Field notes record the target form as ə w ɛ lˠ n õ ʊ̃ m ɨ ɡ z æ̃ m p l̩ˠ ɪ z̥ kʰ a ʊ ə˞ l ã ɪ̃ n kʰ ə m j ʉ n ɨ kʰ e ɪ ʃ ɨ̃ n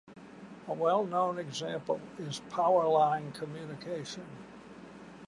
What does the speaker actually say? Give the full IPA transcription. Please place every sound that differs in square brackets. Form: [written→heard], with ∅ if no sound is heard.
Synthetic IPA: ə w ɛ lˠ n õ ʊ̃ [m→n] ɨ ɡ z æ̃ m p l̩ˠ ɪ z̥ [kʰ→pʰ] a ʊ ə˞ l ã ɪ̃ n kʰ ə m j ʉ n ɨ kʰ e ɪ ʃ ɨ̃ n